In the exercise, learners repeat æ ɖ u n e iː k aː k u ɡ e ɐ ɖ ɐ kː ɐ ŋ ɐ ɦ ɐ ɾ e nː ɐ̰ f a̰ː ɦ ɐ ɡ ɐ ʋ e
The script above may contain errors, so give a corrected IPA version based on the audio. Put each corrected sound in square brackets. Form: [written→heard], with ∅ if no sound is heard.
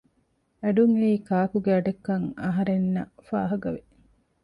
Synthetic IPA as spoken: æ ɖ u [n→ŋ] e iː k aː k u ɡ e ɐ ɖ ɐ kː ɐ ŋ ɐ ɦ ɐ ɾ e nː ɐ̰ f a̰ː ɦ ɐ ɡ ɐ ʋ e